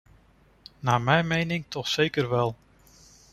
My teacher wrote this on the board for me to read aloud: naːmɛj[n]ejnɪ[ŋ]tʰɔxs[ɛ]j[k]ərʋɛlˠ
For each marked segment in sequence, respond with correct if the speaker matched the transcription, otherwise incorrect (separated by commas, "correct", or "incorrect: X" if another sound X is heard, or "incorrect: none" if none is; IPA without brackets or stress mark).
incorrect: m, correct, incorrect: e, correct